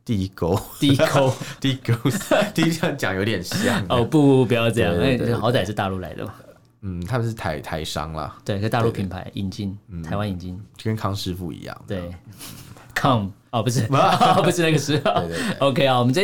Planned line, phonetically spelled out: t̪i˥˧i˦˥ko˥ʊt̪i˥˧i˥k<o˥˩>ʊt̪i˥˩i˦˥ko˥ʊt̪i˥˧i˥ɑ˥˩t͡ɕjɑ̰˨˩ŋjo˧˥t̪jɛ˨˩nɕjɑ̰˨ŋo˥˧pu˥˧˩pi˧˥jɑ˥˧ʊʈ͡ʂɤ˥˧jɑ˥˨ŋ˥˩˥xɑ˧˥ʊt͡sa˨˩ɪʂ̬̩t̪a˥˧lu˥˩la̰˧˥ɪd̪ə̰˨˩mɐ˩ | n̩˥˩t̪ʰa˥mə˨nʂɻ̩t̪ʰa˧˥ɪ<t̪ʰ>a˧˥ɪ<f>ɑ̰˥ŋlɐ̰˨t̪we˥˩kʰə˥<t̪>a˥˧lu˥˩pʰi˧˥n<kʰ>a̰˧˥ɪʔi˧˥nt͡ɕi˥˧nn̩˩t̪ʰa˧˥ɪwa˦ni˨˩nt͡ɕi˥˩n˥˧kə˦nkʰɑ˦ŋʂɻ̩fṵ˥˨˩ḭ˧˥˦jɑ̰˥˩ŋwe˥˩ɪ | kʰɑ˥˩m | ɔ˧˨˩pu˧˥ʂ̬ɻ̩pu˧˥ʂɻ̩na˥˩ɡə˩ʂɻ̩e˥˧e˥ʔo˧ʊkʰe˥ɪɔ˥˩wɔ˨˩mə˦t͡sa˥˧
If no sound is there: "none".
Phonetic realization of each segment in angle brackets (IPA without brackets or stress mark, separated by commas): o˥, t̪ʰ, ʂ, t̪, pʰ